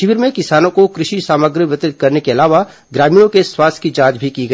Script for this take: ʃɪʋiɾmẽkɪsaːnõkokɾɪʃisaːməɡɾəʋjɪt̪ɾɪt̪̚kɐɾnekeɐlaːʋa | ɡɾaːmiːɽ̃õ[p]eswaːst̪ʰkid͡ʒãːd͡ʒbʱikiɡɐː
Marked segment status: incorrect: k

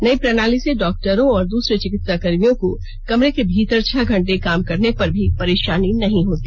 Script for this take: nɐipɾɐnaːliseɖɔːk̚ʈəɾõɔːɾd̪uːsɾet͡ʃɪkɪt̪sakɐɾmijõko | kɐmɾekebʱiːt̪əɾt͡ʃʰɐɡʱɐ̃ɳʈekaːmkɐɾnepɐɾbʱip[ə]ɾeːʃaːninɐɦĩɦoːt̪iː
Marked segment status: incorrect: ɐ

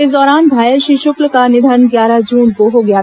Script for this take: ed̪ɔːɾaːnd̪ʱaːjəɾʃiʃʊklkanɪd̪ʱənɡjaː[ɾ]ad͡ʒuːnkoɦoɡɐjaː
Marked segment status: correct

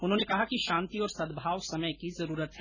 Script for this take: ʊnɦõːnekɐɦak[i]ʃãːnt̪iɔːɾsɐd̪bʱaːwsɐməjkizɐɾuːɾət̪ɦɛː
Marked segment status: correct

